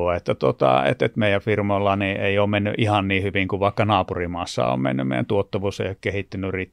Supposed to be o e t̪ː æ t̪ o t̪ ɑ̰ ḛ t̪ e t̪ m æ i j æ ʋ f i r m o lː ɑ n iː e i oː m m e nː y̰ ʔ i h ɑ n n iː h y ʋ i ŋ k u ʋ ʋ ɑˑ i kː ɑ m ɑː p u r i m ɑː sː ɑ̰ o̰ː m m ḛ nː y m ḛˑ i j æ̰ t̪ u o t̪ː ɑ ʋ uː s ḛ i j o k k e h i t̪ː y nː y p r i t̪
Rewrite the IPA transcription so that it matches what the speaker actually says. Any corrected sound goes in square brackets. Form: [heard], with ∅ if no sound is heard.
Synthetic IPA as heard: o e t̪ː æ t̪ o t̪ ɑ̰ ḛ t̪ e t̪ m [e] i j æ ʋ f i r m o lː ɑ n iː e i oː m m e nː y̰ ʔ i h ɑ n n iː h y ʋ i ŋ k u ʋ ʋ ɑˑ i kː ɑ [n] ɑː p u r i m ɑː sː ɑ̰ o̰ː m m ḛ nː y m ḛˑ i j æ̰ t̪ u o t̪ː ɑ ʋ uː s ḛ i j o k k e h i t̪ː y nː y [∅] r i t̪